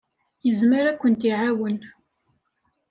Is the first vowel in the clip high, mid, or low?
mid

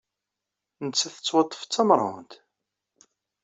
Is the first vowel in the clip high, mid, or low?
mid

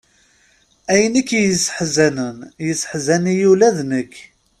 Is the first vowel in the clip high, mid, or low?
low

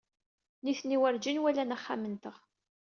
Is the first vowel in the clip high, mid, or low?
high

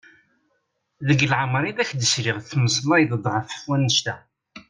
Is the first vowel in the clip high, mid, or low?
mid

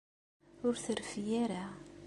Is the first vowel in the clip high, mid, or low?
high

